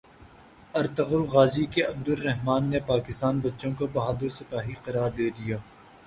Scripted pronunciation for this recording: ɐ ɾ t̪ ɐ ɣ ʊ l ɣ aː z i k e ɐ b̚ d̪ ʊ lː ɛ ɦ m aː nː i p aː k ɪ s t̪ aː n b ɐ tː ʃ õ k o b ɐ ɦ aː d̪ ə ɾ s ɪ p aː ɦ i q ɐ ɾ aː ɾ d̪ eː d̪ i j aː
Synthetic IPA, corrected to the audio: ɐ ɾ t̪ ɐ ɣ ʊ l ɣ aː z i k e ɐ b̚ d̪ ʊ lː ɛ ɦ m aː nː e p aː k ɪ s t̪ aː n b ɐ tː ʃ õ k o b ɐ ɦ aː d̪ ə ɾ s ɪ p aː ɦ i q ɐ ɾ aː ɾ d̪ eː d̪ i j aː